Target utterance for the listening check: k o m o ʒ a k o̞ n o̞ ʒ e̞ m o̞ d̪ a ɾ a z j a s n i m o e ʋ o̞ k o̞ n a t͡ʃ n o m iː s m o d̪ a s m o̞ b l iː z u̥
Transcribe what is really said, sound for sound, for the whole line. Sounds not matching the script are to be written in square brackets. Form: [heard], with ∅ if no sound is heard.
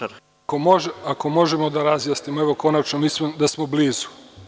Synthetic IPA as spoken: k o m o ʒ a k o̞ [m] o̞ ʒ e̞ m o̞ d̪ a ɾ a z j a s n i m o e ʋ o̞ k o̞ n a t͡ʃ n o m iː s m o d̪ a s m o̞ b l iː z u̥